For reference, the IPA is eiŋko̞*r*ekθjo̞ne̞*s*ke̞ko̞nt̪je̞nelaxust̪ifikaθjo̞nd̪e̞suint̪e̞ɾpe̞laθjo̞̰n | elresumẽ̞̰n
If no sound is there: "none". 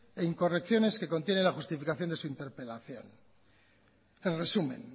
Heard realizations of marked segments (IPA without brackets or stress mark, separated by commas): r, s